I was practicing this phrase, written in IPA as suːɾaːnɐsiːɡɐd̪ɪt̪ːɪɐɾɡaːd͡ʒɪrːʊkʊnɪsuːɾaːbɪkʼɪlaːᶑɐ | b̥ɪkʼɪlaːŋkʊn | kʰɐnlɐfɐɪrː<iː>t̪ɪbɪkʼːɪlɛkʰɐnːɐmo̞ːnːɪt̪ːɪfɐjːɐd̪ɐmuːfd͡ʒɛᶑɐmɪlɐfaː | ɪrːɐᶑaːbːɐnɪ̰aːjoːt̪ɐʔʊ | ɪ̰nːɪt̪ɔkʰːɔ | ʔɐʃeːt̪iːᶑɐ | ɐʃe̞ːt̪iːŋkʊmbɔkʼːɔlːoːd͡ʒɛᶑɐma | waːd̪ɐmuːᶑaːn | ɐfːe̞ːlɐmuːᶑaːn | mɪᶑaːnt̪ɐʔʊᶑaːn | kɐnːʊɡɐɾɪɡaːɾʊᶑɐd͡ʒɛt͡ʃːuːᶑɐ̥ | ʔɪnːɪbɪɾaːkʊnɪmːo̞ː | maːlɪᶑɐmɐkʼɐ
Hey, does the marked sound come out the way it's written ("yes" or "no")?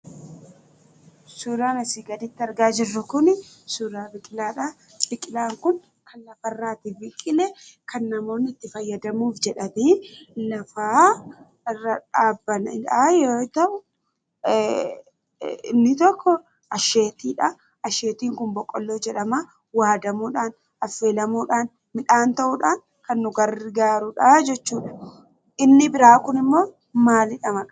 no